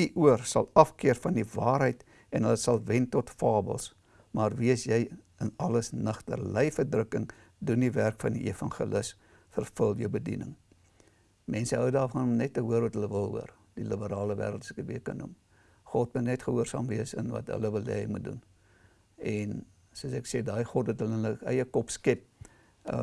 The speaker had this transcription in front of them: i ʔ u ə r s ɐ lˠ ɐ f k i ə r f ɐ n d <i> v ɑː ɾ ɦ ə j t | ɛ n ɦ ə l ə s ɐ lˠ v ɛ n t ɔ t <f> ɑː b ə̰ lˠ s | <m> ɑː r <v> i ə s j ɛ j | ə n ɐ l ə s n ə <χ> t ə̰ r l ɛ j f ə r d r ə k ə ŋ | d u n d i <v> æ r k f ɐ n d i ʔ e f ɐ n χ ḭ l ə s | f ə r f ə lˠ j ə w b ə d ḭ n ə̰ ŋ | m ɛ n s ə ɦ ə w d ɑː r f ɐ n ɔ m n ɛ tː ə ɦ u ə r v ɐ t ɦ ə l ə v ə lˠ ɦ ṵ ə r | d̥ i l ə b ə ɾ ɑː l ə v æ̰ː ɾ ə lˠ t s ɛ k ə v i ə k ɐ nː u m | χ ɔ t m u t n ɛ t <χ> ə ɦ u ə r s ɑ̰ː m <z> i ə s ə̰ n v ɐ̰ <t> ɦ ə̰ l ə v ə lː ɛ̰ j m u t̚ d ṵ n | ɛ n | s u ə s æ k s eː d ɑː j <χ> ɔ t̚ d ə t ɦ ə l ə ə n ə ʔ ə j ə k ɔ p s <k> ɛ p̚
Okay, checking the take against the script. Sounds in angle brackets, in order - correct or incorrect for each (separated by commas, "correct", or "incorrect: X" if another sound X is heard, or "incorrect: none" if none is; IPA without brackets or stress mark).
correct, correct, correct, correct, correct, correct, correct, incorrect: v, correct, correct, correct